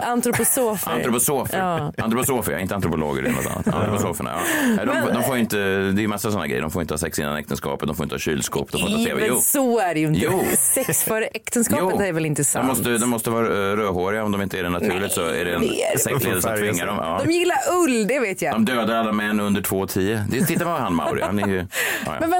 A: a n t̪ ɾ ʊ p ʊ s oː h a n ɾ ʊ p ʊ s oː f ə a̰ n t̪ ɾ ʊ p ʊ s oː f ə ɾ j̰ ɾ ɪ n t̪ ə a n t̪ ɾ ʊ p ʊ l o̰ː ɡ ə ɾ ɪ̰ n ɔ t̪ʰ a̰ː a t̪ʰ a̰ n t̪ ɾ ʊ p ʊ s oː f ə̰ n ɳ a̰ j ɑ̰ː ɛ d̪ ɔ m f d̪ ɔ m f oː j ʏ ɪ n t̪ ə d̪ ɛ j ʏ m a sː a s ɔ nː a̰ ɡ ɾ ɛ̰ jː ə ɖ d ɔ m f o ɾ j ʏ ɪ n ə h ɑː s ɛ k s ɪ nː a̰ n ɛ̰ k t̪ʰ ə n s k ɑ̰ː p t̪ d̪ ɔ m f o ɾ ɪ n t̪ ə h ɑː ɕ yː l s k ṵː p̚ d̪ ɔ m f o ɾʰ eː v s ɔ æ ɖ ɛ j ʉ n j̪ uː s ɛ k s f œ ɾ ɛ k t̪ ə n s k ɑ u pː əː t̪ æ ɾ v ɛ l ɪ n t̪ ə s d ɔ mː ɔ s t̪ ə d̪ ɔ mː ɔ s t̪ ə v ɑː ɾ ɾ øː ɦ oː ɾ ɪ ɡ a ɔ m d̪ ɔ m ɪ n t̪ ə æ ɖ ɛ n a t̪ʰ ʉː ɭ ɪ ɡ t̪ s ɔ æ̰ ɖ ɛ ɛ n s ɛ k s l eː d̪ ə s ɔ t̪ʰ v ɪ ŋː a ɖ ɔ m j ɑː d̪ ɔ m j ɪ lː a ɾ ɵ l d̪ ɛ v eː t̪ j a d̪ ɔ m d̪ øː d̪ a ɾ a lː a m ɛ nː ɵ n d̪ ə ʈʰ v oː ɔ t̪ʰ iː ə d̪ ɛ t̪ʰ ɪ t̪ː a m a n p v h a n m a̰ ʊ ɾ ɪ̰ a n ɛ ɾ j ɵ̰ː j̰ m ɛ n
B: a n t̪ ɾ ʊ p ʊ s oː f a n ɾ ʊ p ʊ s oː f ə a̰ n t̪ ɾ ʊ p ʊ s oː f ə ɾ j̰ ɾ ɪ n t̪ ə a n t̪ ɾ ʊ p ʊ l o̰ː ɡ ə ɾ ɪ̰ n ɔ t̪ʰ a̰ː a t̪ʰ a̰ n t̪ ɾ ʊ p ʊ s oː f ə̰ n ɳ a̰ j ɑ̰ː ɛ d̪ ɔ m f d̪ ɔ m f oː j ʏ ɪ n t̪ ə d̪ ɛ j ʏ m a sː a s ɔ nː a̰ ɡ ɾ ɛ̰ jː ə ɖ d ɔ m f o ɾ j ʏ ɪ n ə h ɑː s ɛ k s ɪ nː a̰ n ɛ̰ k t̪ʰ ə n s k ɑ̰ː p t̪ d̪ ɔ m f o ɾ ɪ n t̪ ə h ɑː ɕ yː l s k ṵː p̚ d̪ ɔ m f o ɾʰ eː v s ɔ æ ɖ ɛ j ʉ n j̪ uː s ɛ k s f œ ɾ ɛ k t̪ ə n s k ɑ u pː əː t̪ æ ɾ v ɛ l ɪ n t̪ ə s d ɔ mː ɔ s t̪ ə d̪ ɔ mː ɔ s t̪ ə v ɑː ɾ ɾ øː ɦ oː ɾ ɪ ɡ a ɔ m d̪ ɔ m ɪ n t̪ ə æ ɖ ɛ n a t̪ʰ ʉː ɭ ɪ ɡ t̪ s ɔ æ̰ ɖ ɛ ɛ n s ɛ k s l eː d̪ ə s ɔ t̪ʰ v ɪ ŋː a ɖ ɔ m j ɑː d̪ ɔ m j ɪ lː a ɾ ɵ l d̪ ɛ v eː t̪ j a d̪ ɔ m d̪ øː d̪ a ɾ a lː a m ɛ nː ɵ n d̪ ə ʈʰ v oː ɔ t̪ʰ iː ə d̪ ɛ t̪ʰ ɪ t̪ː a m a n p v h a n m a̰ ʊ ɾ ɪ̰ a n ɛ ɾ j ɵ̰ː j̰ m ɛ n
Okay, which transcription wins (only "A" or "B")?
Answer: B